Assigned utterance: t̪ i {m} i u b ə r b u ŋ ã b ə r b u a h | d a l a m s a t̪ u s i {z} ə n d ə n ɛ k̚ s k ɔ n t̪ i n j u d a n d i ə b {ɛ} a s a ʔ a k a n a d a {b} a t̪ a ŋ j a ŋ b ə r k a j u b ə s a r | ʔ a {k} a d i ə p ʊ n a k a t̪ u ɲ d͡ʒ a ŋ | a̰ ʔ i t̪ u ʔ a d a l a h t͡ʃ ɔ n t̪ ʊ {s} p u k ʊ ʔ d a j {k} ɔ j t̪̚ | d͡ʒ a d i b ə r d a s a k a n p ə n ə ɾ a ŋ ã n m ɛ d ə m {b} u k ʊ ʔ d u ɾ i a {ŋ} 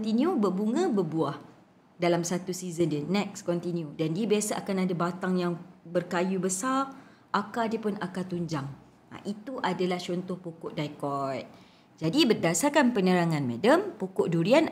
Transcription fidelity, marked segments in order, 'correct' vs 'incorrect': incorrect: n, correct, incorrect: i, correct, correct, incorrect: h, correct, incorrect: p, incorrect: n

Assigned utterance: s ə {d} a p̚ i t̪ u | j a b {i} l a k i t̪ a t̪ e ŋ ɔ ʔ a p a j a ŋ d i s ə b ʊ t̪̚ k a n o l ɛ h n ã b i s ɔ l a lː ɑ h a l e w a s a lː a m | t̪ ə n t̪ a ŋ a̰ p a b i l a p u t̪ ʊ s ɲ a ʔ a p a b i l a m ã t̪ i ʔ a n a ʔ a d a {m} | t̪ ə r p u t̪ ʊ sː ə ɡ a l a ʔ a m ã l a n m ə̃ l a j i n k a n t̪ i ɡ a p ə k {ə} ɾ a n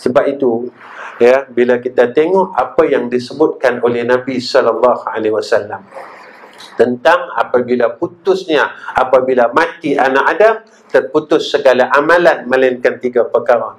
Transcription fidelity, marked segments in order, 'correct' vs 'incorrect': incorrect: b, correct, correct, incorrect: a

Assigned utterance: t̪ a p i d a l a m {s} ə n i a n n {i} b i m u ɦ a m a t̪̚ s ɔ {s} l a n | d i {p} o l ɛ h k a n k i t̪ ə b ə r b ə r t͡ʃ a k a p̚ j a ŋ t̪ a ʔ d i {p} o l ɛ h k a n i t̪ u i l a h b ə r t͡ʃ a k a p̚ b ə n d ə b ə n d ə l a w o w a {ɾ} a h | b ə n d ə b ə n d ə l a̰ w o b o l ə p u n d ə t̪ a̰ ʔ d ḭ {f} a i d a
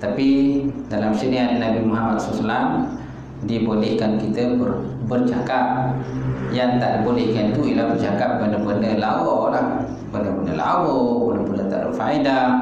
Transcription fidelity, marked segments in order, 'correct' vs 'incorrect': correct, incorrect: a, correct, incorrect: b, incorrect: b, incorrect: l, correct

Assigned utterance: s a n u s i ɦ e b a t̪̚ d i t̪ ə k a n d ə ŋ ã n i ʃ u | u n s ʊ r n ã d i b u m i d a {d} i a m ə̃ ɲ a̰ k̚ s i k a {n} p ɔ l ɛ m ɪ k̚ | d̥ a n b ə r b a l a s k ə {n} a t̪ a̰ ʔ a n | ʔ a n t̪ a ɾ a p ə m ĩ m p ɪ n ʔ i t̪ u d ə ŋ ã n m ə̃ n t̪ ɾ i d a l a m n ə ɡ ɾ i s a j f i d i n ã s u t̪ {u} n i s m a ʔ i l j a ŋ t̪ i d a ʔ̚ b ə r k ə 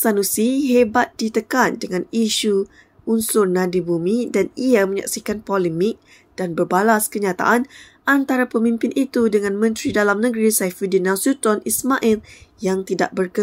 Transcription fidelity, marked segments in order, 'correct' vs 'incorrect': incorrect: n, correct, incorrect: ɲ, incorrect: ɔ

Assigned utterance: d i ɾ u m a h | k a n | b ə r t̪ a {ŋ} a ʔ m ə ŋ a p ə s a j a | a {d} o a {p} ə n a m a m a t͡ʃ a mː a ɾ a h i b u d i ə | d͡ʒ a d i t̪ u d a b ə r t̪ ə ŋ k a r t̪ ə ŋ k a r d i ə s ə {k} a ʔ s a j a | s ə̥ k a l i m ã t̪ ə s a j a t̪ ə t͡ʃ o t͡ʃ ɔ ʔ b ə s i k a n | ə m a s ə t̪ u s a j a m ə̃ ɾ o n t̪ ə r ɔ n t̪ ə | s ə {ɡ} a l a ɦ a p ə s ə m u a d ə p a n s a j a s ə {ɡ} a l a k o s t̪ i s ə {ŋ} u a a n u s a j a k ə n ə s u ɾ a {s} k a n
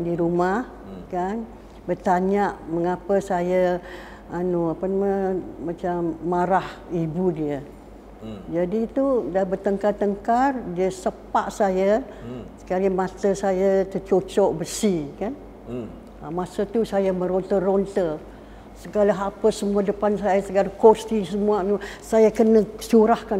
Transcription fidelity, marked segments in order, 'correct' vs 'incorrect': incorrect: ɲ, incorrect: n, correct, incorrect: p, correct, correct, incorrect: m, incorrect: h

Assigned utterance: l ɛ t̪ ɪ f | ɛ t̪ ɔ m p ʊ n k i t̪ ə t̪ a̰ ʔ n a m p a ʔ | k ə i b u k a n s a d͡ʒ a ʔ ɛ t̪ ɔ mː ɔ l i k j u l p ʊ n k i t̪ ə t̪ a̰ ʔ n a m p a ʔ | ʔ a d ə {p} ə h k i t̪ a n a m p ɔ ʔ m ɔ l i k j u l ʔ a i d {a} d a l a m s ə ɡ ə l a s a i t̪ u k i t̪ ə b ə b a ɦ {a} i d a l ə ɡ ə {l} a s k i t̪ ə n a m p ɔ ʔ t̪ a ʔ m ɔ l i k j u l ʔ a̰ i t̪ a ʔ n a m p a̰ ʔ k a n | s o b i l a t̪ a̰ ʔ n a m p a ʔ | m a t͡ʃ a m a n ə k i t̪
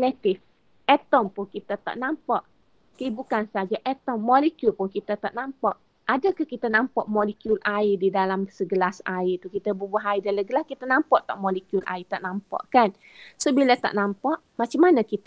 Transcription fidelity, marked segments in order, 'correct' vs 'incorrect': incorrect: k, incorrect: i, correct, correct

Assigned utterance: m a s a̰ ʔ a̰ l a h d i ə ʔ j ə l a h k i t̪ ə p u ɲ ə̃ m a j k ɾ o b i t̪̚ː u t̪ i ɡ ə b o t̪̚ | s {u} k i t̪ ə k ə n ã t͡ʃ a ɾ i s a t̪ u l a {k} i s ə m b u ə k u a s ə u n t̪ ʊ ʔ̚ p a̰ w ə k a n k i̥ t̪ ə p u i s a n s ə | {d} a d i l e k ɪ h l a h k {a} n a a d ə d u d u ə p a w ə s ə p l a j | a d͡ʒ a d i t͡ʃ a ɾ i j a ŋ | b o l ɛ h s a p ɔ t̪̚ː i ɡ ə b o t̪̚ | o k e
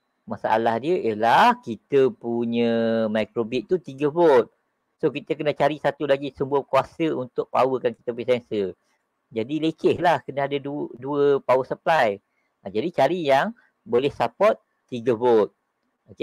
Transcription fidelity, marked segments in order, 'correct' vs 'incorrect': incorrect: o, incorrect: ɡ, incorrect: d͡ʒ, incorrect: ə

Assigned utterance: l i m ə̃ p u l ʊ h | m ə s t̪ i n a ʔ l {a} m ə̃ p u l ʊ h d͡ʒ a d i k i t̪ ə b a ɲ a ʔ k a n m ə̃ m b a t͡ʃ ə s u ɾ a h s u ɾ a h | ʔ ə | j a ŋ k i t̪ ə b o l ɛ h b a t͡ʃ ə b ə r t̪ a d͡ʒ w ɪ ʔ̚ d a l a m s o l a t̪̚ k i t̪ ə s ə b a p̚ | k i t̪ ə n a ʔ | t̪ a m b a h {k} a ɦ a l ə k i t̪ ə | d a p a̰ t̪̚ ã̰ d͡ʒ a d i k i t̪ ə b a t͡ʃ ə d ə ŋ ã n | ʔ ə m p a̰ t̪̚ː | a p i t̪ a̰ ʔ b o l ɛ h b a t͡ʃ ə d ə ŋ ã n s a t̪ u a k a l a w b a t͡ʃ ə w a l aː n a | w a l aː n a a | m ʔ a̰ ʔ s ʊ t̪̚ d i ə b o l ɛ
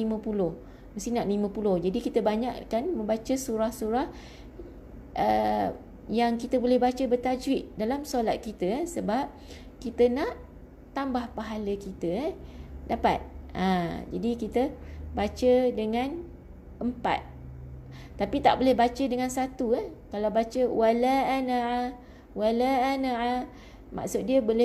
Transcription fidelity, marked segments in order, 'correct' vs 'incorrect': incorrect: i, incorrect: p

